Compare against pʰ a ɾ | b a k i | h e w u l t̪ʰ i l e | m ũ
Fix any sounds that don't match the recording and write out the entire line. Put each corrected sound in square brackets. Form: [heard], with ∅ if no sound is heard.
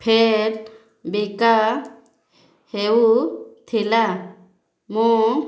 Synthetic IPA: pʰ [e] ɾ | b [i] k [a] | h e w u [∅] t̪ʰ i l [a] | m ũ